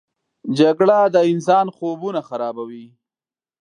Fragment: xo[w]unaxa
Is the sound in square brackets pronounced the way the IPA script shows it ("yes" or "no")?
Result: no